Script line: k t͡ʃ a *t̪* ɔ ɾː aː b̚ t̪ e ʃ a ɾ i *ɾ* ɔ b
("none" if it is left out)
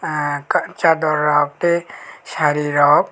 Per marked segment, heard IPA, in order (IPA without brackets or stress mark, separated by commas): d̪, ɾ